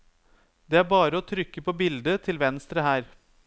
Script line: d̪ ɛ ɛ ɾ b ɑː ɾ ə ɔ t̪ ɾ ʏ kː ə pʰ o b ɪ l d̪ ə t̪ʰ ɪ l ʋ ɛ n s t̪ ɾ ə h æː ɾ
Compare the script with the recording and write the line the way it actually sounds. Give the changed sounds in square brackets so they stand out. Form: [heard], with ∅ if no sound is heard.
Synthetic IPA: d̪ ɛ [æ] ɾ b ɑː ɾ ə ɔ [t̪ʰ] ɾ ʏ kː ə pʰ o b ɪ l d̪ ə t̪ʰ ɪ l ʋ ɛ n s t̪ ɾ ə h æː ɾ